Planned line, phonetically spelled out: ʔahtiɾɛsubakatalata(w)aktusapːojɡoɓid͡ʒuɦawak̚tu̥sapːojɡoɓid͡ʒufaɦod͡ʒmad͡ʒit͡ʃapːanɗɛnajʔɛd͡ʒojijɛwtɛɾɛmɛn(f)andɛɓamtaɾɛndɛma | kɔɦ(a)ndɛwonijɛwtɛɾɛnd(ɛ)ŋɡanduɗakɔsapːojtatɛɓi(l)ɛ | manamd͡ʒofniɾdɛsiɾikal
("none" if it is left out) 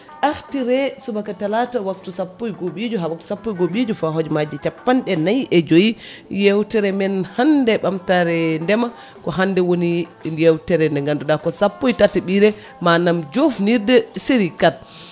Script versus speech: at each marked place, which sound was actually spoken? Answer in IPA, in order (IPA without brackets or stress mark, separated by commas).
w, h, a, ɛ, ɾ